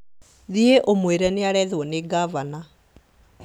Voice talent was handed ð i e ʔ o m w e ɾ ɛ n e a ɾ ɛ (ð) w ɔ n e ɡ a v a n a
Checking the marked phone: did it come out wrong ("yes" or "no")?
no